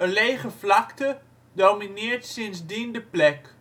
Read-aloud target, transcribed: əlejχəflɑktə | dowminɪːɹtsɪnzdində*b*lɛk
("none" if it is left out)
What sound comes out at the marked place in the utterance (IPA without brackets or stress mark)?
p